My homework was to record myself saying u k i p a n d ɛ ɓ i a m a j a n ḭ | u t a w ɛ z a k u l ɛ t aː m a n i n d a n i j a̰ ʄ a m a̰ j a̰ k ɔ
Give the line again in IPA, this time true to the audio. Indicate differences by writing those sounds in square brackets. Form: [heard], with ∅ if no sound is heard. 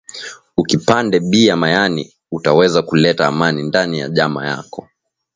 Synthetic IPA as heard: u k i p a n d ɛ ɓ i a m a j a n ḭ | u t a w ɛ z a k u l ɛ t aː m a n i n d a n i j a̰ ʄ a m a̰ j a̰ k ɔ

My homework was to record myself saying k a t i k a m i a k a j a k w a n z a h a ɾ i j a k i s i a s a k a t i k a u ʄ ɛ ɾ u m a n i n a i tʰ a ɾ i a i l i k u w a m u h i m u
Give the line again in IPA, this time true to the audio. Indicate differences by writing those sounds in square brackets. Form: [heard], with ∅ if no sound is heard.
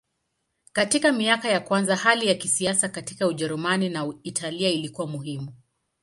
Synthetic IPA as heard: k a t i k a m i a k a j a k w a n z a h a [l] i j a k i s i a s a k a t i k a u ʄ ɛ ɾ u m a n i n a i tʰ a [l] i a i l i k u w a m u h i m u

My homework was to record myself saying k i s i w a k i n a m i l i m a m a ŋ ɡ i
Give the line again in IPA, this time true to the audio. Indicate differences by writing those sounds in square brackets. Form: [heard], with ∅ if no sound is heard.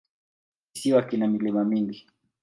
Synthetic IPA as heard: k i s i w a k i n a m i l i m a m [i] ŋ ɡ i

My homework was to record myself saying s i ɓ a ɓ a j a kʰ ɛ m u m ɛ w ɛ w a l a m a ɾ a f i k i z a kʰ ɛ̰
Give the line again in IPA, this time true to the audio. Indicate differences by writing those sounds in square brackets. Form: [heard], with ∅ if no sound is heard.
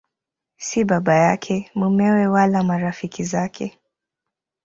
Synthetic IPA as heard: s i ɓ a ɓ a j a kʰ ɛ m u m ɛ w ɛ w a l a m a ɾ a f i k i z a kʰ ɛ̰

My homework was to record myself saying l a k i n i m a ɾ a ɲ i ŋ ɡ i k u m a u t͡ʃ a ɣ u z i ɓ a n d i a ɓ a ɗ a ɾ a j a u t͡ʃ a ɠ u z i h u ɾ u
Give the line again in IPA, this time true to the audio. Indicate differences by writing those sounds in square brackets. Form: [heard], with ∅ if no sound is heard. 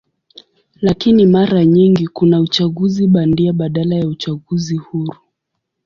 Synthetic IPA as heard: l a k i n i m a ɾ a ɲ i ŋ ɡ i k u [n] a u t͡ʃ a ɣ u z i ɓ a n d i a ɓ a ɗ a [l] a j a u t͡ʃ a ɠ u z i h u ɾ u

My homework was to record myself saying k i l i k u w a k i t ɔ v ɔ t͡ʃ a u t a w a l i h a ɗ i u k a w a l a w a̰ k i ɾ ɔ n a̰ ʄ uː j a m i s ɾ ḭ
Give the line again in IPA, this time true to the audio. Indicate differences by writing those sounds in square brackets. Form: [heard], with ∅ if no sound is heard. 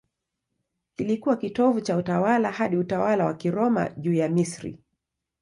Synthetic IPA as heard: k i l i k u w a k i t ɔ v [u] t͡ʃ a u t a w a l [a] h a ɗ i u [t] a w a l a w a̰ k i ɾ ɔ [m] a̰ ʄ uː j a m i s ɾ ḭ

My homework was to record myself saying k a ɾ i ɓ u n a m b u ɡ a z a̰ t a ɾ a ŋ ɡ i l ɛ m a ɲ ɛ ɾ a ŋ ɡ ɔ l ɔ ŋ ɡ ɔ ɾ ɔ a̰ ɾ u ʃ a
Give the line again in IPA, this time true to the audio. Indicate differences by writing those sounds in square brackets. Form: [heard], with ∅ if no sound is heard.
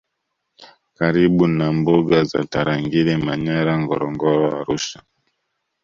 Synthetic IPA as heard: k a ɾ i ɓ u n a m b u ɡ a z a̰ t a ɾ a ŋ ɡ i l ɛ m a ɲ [a] ɾ a ŋ ɡ ɔ [ɾ] ɔ ŋ ɡ ɔ ɾ ɔ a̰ ɾ u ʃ a

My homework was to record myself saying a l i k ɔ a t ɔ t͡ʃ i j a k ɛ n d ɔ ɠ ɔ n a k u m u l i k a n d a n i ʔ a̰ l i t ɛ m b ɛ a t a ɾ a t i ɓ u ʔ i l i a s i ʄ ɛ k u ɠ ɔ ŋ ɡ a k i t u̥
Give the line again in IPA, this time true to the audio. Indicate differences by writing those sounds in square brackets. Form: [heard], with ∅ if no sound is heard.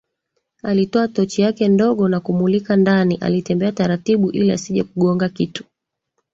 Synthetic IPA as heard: a l i [t] ɔ a t ɔ t͡ʃ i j a k ɛ n d ɔ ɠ ɔ n a k u m u l i k a n d a n i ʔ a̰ l i t ɛ m b ɛ a t a ɾ a t i ɓ u ʔ i l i a s i ʄ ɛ k u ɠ ɔ ŋ ɡ a k i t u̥

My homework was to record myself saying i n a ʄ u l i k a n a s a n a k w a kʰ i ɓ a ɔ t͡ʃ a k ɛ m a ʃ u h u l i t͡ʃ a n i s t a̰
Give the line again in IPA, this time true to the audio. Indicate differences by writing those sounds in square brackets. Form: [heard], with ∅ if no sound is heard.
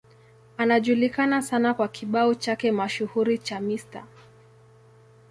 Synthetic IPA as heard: [a] n a ʄ u l i k a n a s a n a k w a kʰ i ɓ a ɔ t͡ʃ a k ɛ m a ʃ u h u [ɾ] i t͡ʃ a [m] i s t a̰

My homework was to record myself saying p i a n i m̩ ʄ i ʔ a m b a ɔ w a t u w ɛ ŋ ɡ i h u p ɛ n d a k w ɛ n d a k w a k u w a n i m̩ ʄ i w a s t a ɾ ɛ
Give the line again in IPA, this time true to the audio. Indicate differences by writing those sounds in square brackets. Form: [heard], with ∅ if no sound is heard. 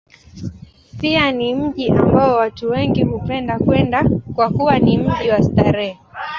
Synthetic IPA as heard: p i a n i m̩ ʄ i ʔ a m b a ɔ w a t u w ɛ ŋ ɡ i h u p ɛ n d a k w ɛ n d a k w a k u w a n i m̩ ʄ i w a s t a ɾ ɛ

